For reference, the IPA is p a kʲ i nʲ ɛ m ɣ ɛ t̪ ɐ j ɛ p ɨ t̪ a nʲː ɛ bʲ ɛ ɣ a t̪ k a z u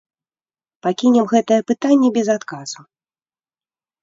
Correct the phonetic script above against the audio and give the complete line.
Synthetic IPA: p a kʲ i nʲ ɛ m ɣ ɛ t̪ ɐ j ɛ p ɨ t̪ a nʲː ɛ bʲ ɛ z a t̪ k a z u